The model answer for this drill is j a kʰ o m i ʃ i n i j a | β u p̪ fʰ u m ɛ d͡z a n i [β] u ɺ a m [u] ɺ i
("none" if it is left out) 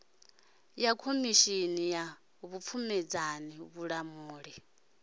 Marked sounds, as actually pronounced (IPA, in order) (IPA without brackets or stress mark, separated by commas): β, uː